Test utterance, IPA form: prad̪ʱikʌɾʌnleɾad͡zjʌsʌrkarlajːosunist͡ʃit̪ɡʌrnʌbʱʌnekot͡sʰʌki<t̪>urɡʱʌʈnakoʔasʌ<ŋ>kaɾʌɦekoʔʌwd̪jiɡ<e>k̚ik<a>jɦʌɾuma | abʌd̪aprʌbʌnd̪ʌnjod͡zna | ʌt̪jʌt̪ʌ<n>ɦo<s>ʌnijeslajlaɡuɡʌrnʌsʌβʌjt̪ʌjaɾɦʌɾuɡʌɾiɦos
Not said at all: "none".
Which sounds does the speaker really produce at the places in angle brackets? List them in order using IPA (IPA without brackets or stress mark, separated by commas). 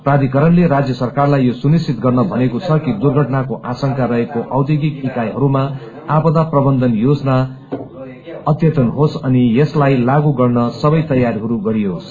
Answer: d̪, ŋ, i, a, n, s